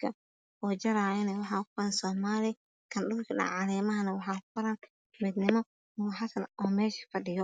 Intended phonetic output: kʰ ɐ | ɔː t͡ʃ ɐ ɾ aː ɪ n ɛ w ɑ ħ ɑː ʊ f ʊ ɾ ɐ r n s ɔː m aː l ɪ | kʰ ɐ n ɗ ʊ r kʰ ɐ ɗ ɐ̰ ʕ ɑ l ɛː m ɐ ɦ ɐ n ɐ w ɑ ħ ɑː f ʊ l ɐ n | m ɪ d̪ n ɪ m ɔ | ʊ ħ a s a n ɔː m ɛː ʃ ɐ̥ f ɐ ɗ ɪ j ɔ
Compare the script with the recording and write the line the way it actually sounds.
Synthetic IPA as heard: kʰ ɐ | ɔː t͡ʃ ɐ ɾ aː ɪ n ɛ w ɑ ħ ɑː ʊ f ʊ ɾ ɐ n s ɔː m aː l ɪ | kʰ ɐ n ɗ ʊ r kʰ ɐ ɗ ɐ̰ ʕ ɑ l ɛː m ɐ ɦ ɐ n ɐ w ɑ ħ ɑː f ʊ ɾ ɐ n | m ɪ d̪ n ɪ m ɔ | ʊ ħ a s ɐ n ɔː m ɛː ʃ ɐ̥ f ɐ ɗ ɪ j ɔ